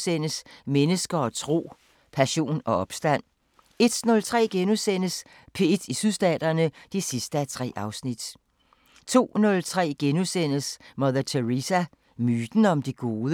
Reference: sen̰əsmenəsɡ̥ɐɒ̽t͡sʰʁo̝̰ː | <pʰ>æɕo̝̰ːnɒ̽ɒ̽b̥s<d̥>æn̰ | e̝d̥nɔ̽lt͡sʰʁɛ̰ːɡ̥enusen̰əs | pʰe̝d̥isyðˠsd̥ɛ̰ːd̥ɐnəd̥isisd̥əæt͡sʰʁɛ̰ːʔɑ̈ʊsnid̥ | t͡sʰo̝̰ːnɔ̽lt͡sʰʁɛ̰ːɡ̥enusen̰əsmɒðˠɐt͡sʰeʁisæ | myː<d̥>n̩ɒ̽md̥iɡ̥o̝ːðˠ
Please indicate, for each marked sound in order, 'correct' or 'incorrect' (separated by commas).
correct, correct, correct